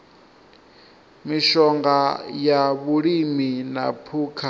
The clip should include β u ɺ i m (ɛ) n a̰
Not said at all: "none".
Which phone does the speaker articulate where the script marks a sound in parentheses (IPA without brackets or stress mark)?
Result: i